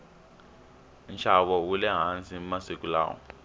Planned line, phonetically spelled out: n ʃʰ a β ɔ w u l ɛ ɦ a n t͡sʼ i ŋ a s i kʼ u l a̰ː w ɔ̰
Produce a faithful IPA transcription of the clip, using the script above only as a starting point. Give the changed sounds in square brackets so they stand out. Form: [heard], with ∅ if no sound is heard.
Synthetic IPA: n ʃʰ a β ɔ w u l ɛ ɦ a n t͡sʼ i [m] a s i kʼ u l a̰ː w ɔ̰